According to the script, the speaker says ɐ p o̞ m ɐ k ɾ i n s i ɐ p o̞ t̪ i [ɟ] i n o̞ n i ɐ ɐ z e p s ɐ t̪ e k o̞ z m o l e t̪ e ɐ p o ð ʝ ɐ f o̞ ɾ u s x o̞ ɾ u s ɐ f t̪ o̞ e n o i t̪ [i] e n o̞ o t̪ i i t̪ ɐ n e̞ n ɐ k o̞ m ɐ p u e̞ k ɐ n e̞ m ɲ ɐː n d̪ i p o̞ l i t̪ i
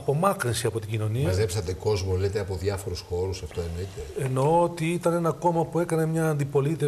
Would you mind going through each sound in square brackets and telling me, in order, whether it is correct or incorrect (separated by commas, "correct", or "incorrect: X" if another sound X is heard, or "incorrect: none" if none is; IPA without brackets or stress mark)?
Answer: correct, incorrect: e